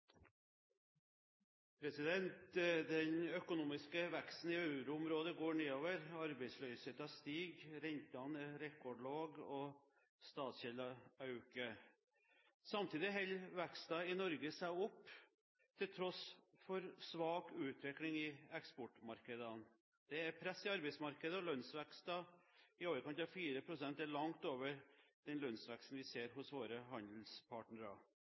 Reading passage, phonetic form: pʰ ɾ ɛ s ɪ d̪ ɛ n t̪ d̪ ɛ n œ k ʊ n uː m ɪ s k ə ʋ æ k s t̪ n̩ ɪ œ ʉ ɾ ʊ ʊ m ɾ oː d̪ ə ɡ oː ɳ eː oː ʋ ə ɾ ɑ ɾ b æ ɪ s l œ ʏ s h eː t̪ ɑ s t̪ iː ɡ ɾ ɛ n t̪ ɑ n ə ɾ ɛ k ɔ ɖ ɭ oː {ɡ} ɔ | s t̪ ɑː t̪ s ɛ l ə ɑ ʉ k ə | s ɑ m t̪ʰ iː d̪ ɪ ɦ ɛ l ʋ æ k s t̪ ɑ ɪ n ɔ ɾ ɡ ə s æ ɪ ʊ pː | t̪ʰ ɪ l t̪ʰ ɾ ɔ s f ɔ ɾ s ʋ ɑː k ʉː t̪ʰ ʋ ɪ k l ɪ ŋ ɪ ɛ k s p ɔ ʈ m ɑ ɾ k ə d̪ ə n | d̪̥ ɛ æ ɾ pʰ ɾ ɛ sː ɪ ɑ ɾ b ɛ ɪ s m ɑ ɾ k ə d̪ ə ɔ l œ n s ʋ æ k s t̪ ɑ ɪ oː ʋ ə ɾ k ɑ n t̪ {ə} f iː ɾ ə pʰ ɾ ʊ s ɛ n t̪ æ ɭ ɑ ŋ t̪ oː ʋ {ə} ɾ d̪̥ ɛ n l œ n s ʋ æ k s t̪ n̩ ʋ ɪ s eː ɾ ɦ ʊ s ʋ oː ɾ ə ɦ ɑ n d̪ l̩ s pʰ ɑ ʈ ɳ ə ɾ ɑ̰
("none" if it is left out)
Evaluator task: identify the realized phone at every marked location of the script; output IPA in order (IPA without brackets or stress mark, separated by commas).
ɡ, ɑ, ə